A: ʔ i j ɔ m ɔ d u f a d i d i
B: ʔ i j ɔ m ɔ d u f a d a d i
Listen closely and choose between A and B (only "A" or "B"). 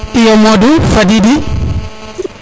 A